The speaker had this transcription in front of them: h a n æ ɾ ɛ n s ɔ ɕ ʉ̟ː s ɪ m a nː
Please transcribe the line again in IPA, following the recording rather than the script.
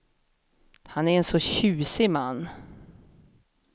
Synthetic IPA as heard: h a n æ ɾ ɛ n s ɔ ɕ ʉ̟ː s ɪ m a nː